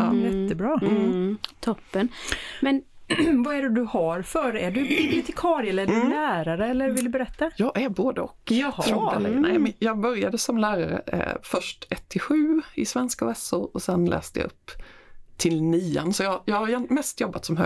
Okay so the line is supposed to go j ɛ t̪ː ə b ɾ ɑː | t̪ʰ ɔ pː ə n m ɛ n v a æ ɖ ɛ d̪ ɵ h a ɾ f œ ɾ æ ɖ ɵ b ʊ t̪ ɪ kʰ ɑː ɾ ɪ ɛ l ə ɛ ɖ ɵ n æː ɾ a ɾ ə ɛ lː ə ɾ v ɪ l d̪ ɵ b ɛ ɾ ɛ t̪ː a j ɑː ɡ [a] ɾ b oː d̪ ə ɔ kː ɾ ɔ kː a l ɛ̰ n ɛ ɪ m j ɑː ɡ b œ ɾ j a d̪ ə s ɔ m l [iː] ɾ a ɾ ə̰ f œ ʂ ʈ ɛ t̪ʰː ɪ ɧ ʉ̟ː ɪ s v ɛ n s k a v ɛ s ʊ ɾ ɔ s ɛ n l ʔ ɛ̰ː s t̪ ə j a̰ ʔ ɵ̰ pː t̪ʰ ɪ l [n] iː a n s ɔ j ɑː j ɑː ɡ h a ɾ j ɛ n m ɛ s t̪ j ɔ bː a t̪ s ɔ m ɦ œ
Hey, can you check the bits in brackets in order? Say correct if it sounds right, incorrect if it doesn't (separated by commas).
incorrect, incorrect, correct